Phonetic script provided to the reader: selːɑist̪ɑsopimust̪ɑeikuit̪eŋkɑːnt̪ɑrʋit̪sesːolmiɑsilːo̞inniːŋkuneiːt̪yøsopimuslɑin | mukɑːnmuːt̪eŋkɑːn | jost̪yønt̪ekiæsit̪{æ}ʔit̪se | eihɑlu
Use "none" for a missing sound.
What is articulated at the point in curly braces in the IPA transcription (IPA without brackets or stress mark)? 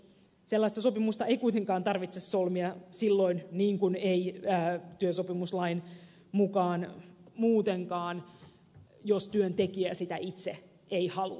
æ